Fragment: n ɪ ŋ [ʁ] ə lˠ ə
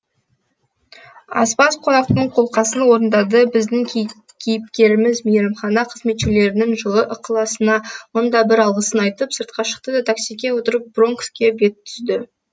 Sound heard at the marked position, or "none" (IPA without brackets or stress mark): ʒ